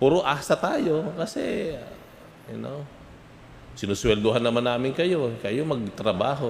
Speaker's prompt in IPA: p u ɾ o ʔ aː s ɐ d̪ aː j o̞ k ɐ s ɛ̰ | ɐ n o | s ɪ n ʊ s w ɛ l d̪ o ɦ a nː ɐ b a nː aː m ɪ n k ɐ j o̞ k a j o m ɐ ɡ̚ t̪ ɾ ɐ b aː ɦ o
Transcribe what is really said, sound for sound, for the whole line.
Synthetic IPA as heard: p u ɾ o ʔ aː s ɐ t̪ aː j o̞ k ɐ s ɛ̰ | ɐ n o | s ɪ n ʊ s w ɛ l d̪ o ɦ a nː ɐ m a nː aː m ɪ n k ɐ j o̞ k ɐ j o m ɐ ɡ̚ t̪ ɾ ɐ b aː ɦ o